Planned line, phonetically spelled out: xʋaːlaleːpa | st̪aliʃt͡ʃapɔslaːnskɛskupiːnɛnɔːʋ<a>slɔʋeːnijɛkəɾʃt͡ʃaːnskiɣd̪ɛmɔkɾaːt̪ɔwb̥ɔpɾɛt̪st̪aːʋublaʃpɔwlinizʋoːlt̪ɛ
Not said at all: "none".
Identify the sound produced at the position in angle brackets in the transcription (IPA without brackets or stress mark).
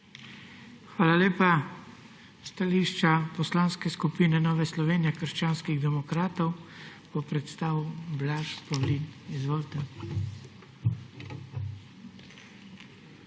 ɛ